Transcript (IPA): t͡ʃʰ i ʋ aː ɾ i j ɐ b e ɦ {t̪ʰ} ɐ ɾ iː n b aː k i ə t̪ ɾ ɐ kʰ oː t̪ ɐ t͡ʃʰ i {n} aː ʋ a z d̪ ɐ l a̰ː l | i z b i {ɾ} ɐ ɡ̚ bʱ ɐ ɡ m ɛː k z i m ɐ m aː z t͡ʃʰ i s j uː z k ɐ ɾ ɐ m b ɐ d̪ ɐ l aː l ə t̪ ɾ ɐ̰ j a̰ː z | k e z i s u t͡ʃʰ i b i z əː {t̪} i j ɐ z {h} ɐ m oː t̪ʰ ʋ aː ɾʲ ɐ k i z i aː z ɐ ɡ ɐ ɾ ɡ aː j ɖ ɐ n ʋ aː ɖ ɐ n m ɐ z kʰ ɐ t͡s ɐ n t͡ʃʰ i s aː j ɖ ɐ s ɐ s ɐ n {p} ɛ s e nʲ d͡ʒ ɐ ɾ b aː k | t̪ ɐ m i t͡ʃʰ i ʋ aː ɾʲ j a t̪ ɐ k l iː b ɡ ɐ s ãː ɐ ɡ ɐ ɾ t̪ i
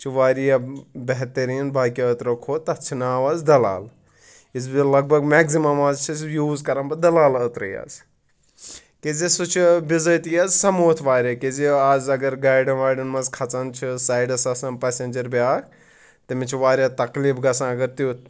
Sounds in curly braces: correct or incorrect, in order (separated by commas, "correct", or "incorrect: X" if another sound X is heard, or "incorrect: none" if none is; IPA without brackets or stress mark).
incorrect: t̪, correct, incorrect: l, correct, incorrect: s, correct